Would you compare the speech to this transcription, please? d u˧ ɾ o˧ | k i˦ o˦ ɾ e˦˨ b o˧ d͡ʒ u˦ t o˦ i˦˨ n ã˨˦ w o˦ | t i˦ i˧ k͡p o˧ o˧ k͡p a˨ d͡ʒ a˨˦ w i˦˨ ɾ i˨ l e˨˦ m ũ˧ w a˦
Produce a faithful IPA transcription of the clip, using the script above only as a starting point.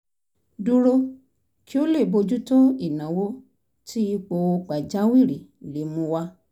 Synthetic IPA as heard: d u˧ ɾ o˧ | k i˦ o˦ l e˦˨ b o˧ d͡ʒ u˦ t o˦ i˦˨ n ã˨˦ w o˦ | t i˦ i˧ k͡p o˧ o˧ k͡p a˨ d͡ʒ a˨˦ w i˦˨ ɾ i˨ l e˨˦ m ũ˧ w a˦